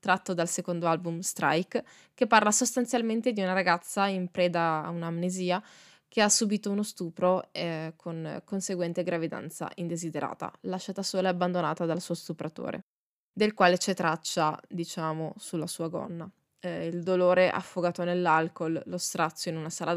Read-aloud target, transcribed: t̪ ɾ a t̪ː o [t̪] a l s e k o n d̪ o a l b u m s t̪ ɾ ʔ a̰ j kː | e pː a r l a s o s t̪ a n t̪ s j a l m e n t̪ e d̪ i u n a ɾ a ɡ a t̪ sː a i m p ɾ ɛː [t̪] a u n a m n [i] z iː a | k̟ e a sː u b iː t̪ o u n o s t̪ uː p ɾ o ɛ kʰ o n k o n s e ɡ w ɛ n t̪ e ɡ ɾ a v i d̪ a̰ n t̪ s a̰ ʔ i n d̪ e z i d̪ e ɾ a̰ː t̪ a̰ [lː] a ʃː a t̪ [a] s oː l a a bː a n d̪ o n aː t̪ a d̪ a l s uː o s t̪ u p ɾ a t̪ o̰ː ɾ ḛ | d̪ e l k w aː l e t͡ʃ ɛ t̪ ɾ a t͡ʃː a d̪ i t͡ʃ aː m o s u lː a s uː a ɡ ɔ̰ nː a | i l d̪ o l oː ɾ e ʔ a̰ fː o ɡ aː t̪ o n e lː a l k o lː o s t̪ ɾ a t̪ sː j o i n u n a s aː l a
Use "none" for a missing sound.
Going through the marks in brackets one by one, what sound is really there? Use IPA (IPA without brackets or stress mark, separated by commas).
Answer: d̪, d̪, e, l, a